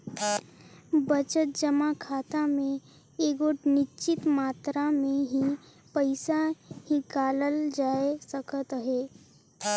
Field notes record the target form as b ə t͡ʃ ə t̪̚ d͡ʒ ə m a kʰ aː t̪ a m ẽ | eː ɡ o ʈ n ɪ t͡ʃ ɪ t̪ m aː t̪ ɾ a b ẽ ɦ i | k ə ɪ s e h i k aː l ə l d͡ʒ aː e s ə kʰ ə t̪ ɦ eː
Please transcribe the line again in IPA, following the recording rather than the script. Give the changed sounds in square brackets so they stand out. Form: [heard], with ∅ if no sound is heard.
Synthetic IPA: b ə t͡ʃ ə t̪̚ d͡ʒ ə m a kʰ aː t̪ a m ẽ | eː ɡ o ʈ n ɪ t͡ʃ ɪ t̪ m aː t̪ ɾ a [m] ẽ ɦ i | [p] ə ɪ s [a] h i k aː l ə l d͡ʒ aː e s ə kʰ ə t̪ ɦ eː